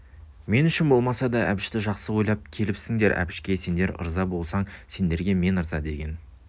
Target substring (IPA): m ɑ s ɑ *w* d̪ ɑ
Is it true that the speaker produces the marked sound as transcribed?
no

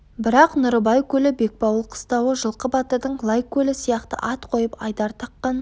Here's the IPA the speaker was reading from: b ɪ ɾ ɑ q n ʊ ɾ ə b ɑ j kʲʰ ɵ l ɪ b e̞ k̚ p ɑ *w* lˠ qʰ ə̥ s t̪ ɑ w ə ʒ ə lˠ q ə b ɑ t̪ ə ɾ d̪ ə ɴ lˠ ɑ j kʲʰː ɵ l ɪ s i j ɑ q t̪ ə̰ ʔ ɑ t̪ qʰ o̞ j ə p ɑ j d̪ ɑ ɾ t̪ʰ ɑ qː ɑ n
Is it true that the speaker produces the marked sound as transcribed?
yes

